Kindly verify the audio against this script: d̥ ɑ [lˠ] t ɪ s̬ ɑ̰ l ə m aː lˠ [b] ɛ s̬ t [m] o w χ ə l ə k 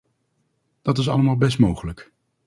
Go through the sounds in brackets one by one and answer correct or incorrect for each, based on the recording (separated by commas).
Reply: incorrect, correct, correct